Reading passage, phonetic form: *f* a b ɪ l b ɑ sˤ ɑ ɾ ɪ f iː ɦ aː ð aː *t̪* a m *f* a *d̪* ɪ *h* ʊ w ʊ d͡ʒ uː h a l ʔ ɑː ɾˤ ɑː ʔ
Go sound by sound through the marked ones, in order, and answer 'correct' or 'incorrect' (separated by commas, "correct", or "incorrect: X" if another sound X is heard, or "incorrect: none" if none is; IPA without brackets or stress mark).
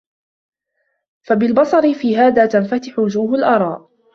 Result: correct, correct, correct, incorrect: t̪, incorrect: ħ